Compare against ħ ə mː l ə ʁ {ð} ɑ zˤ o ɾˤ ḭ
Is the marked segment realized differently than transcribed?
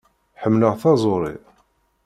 yes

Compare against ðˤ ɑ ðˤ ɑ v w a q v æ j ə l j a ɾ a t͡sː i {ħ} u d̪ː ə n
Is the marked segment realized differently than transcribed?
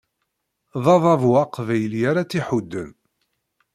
no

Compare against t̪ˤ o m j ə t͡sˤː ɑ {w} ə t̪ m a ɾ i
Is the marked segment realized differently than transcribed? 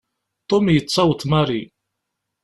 no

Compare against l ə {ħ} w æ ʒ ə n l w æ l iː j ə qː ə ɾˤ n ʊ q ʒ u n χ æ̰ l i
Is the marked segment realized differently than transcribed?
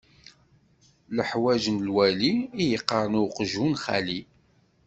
no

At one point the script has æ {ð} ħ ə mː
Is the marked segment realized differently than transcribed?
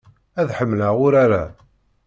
no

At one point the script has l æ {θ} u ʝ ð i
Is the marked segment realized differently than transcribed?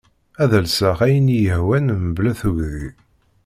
no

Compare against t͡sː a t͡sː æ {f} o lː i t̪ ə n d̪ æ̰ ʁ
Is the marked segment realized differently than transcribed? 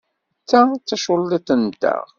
yes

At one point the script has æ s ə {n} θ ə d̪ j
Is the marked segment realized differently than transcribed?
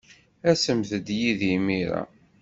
yes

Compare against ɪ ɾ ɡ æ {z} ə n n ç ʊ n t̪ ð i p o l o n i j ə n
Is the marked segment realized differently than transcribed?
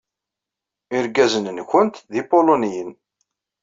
no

